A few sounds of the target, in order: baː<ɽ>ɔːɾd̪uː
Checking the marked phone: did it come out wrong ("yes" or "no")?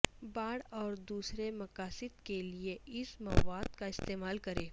no